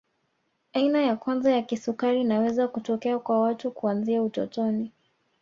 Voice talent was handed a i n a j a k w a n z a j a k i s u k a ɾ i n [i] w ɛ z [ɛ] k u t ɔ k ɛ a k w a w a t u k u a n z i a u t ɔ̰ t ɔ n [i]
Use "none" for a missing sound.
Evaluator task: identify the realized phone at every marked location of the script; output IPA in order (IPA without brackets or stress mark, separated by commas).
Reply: a, a, i